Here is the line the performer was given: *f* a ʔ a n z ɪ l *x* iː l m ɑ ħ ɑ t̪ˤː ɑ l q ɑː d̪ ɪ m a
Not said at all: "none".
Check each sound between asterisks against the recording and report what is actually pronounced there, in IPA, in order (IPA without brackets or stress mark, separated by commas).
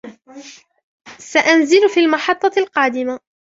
s, f